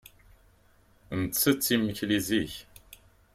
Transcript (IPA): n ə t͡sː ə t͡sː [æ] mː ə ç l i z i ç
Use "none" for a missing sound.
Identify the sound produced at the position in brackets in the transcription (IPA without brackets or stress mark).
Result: i